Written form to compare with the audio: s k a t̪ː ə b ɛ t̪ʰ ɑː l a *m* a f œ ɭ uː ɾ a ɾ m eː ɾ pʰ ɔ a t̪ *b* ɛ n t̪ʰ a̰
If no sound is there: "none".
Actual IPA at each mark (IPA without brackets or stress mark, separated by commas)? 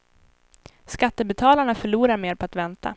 ɳ, v